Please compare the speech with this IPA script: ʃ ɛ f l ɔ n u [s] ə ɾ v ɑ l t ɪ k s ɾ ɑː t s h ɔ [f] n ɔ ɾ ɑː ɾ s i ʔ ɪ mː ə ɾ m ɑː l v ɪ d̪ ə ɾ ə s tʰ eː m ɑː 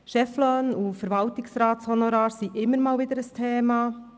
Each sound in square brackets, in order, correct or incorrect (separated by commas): incorrect, incorrect